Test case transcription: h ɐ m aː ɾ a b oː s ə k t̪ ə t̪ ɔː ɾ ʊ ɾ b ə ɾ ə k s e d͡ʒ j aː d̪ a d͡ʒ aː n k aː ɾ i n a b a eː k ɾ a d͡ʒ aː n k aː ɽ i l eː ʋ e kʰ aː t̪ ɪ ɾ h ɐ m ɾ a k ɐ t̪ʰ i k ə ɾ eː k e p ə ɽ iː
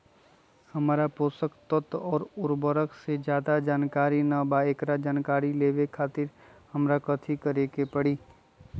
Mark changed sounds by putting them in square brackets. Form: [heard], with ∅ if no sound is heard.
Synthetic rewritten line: h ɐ m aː ɾ a [p] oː s ə k t̪ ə t̪ ɔː ɾ ʊ ɾ b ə ɾ ə k s e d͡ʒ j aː d̪ a d͡ʒ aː n k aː ɾ i n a b a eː k ɾ a d͡ʒ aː n k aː [ɾ] i l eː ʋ e kʰ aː t̪ ɪ ɾ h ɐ m ɾ a k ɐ t̪ʰ i k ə ɾ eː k e p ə ɽ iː